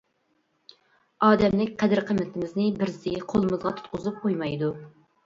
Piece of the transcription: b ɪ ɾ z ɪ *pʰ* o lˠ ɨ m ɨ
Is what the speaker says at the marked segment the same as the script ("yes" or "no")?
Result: no